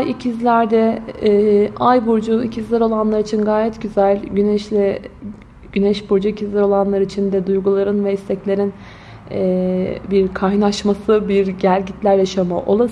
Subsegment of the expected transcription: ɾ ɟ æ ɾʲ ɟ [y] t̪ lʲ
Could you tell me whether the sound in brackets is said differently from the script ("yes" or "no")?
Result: yes